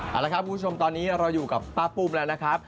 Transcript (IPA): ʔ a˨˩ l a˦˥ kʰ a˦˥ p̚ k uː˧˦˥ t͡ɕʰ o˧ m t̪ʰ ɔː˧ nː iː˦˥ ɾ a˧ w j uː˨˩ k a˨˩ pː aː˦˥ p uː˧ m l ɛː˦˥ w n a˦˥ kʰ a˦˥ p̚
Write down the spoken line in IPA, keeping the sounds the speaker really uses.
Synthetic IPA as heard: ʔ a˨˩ l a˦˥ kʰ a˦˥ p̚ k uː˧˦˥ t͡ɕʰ o˧ m t̪ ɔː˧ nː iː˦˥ ɾ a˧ w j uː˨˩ k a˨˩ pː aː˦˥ p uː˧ m l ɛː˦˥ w n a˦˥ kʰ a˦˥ p̚